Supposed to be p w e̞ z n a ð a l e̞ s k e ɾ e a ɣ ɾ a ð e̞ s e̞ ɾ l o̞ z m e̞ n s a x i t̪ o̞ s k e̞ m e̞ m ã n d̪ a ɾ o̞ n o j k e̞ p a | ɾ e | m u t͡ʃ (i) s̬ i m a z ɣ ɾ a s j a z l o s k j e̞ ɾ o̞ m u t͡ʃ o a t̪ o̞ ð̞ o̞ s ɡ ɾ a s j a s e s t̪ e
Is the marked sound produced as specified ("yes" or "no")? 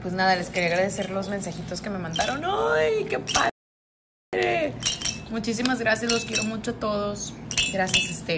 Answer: yes